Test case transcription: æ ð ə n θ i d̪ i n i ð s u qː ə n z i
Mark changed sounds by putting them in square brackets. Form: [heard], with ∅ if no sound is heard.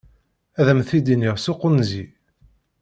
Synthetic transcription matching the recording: æ ð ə [m] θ i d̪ i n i [ʁ] s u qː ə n z i